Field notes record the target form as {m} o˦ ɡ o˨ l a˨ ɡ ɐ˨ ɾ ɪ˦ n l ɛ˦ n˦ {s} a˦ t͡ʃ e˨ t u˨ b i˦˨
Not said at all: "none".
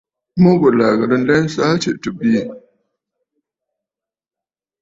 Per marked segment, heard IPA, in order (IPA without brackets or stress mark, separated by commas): m, s